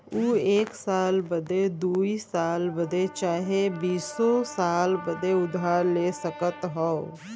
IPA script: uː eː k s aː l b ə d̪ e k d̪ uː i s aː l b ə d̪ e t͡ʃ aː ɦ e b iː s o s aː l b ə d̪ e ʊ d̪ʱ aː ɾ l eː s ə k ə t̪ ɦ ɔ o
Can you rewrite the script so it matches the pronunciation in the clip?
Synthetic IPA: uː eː k s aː l b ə d̪ e d̪ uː i s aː l b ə d̪ e t͡ʃ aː ɦ e b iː s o s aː l b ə d̪ e ʊ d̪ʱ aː ɾ l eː s ə k ə t̪ ɦ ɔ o

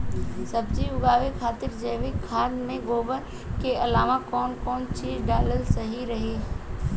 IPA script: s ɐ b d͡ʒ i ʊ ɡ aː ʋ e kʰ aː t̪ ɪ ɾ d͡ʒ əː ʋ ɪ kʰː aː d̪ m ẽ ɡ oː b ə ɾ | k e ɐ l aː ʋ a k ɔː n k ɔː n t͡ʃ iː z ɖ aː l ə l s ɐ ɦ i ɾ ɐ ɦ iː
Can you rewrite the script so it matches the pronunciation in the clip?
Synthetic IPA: s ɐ b d͡ʒ i ʊ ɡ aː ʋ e kʰ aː t̪ ɪ ɾ d͡ʒ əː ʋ ɪ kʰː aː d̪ m ẽ ɡ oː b ə ɾ | k e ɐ l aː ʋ a k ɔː n k ɔː n t͡ʃ iː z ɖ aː l ə l s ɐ ɦ i ɾ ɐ ɦ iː

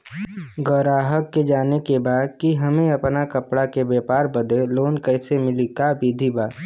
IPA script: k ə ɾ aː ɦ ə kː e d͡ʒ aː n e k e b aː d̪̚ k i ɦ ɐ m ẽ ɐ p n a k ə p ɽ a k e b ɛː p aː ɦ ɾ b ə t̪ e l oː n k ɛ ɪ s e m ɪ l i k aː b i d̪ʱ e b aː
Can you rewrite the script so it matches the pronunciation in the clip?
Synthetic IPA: ɡ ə ɾ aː ɦ ə kː e d͡ʒ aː n e k e b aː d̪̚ k i ɦ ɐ m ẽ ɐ p n a k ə p ɽ a k e b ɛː p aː ɾ b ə d̪ e l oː n k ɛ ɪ s e m ɪ l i k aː b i d̪ʱ i b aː

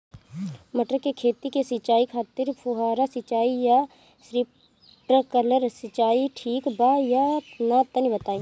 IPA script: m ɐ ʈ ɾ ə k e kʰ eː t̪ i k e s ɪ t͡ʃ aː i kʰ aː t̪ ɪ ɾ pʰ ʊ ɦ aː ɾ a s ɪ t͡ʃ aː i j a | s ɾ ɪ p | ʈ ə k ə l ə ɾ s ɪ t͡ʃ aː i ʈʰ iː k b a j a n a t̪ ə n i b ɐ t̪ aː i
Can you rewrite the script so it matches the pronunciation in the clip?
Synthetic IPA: m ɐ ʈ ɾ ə k e kʰ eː t̪ i k e s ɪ t͡ʃ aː i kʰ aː t̪ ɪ ɾ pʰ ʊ ɦ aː ɾ a s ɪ t͡ʃ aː i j a | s ɾ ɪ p | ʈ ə k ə l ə ɾ s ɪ t͡ʃ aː i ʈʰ iː k b a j a n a t̪ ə n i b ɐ t̪ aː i

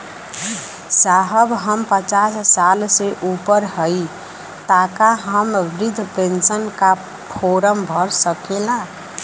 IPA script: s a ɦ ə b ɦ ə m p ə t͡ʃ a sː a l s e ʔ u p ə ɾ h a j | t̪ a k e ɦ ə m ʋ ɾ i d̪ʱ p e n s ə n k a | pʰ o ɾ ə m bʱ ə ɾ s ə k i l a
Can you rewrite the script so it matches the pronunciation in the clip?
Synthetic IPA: s a ɦ ə b ɦ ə m p ə t͡ʃ a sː a l s e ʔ u p ə ɾ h ə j | t̪ a k a ɦ ə m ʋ ɾ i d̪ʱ p e n s ə n k a | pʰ o ɾ ə m bʱ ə ɾ s ə k e l a

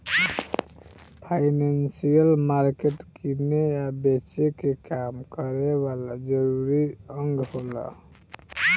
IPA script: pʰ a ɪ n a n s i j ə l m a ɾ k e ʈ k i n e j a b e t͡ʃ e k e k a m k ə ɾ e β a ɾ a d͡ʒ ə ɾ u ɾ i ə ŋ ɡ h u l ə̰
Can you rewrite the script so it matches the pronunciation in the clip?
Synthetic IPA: pʰ a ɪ n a n s i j ə l m a ɾ k e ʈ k i n e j a b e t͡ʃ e k e k a m k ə ɾ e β a l a d͡ʒ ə ɾ u ɾ i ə ŋ ɡ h o l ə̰

